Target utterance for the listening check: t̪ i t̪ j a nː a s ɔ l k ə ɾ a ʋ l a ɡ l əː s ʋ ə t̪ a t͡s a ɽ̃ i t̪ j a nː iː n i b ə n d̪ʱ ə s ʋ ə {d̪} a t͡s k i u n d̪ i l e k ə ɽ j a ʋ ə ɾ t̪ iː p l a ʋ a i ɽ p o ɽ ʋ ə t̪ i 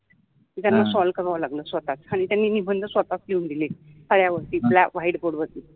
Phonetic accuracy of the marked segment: incorrect: t̪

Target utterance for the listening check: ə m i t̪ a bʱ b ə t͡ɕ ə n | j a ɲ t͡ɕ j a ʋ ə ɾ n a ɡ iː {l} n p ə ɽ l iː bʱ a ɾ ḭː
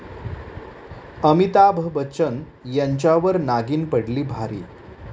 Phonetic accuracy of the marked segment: incorrect: none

